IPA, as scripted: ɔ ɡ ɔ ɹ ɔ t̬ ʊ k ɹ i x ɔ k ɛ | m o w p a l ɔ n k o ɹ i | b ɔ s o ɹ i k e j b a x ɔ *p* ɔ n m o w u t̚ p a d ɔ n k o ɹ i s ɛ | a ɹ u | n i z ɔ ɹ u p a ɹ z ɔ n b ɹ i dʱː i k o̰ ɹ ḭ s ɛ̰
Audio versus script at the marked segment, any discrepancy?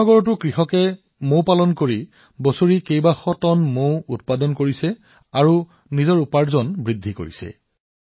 yes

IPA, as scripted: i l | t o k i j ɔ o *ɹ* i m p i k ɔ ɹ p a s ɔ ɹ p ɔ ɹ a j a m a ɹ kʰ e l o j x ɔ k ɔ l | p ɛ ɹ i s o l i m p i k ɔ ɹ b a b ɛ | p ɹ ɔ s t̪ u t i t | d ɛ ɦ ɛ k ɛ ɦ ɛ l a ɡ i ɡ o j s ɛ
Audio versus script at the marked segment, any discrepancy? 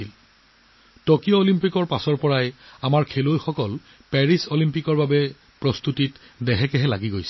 yes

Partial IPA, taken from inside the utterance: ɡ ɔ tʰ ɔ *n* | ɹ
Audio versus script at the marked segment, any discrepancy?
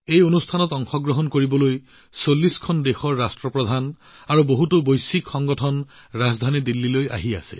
no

